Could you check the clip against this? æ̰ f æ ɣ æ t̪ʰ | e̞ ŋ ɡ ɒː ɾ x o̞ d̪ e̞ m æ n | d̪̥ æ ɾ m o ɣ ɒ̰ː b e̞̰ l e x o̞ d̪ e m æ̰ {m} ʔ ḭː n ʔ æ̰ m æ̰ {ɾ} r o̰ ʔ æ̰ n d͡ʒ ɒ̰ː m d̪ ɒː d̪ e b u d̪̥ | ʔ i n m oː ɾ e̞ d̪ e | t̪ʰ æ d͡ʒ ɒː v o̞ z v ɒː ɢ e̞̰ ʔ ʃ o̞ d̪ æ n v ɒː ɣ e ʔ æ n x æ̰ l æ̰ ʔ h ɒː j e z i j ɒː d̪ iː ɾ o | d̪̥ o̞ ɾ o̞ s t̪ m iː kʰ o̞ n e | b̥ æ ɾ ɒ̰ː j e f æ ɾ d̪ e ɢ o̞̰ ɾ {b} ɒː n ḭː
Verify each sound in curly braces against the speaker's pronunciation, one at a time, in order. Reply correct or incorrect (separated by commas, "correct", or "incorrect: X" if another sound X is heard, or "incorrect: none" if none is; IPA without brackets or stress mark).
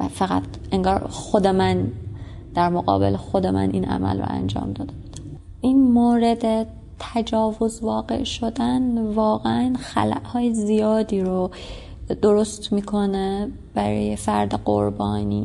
incorrect: n, incorrect: l, correct